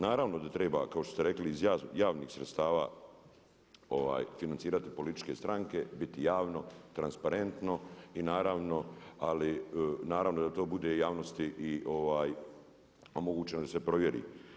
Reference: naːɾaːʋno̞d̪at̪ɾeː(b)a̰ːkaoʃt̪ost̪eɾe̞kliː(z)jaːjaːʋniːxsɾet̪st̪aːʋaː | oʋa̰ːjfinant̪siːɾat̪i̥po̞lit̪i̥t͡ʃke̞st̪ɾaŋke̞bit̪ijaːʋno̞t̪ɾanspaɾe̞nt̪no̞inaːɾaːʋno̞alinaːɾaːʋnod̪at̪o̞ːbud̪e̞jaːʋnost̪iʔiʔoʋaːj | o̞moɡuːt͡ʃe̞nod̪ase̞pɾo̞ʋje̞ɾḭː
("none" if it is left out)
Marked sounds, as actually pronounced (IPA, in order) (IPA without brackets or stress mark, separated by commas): b, z